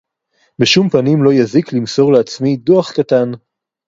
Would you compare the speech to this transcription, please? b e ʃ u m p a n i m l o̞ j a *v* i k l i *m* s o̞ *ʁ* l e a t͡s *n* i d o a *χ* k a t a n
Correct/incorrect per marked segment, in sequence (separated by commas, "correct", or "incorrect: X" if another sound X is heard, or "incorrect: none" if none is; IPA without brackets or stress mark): incorrect: z, correct, correct, incorrect: m, correct